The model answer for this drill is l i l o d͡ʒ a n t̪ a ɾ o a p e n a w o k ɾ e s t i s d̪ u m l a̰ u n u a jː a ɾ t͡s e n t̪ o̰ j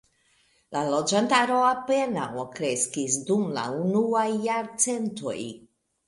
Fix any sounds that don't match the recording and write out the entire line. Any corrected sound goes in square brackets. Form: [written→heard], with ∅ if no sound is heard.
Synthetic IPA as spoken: l [i→a] l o d͡ʒ a n t̪ a ɾ o a p e n a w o k ɾ e s [t→k] i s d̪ u m l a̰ u n u a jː a ɾ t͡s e n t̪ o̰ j